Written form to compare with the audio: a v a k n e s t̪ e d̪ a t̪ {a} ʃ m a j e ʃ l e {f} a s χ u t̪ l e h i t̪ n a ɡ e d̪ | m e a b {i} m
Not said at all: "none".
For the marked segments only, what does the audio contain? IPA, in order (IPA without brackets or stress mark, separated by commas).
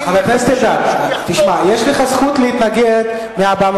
i, χ, a